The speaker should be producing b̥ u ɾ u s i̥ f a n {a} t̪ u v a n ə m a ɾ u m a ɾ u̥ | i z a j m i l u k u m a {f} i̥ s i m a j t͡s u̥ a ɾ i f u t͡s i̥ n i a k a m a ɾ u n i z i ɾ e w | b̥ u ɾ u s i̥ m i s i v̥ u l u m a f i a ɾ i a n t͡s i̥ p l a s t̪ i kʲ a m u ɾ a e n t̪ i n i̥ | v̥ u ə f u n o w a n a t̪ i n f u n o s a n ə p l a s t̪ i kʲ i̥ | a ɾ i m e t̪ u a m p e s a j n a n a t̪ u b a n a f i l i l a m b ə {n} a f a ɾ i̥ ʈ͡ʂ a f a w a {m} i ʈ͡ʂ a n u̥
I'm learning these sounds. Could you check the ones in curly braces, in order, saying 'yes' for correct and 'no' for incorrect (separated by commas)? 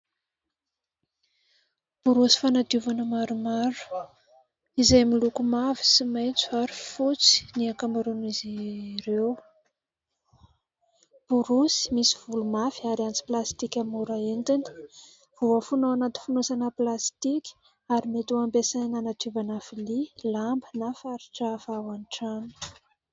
yes, no, yes, no